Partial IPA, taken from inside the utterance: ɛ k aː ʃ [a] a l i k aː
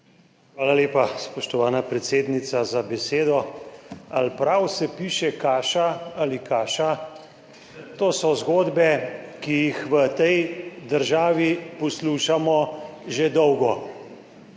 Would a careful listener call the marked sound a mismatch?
no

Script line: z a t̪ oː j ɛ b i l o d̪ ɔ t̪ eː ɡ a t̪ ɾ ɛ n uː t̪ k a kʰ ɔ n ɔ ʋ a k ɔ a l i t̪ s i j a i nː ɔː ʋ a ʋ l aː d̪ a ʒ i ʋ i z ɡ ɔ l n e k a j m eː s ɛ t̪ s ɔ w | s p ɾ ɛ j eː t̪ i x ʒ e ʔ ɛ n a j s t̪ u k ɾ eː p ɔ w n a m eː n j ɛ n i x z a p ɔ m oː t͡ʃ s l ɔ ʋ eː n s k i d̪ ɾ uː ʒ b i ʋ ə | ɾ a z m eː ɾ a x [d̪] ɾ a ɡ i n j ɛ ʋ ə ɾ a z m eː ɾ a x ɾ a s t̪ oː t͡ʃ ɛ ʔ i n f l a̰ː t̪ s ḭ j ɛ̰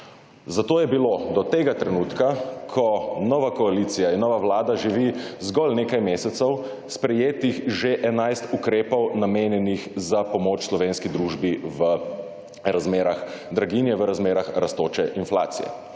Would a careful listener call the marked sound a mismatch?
no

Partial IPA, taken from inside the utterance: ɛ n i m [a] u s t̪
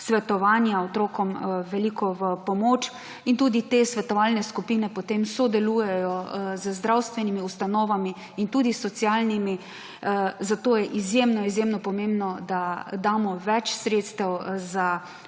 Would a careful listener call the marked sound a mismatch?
yes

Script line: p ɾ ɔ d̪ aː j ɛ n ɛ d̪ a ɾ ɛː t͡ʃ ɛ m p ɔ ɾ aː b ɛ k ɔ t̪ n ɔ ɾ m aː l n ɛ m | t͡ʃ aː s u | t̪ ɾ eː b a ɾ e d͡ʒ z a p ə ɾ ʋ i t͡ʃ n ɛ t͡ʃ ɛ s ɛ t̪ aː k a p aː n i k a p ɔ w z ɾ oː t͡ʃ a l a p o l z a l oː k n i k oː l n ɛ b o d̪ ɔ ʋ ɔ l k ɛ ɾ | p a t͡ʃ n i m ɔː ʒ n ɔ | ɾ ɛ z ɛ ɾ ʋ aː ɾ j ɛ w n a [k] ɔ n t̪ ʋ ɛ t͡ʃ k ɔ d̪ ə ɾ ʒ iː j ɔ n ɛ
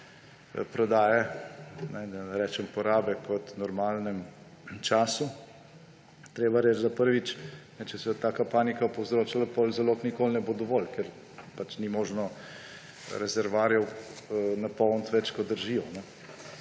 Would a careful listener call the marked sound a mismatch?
yes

